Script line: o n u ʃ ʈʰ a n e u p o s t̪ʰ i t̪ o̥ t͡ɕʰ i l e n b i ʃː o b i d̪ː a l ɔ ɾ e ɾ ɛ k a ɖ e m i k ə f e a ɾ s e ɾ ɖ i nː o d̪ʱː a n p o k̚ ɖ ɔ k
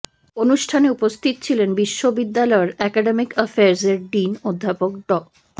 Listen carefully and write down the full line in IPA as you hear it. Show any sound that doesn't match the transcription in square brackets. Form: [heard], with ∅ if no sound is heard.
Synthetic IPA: o n u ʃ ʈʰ a n e u p o s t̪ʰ i t̪ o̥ t͡ɕʰ i l e n b i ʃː o b i d̪ː a l ɔ [∅] e ɾ ɛ k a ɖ e m i k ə f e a ɾ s e ɾ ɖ i [n] o d̪ʱː a [∅] p o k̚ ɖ ɔ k